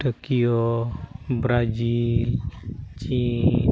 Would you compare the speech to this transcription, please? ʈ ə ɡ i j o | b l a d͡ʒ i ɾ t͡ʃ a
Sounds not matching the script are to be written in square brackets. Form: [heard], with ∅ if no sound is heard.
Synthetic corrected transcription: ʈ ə [k] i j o | b [ɾ] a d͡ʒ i [l] t͡ʃ [i]